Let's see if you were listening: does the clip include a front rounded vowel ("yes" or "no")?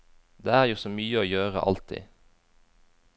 yes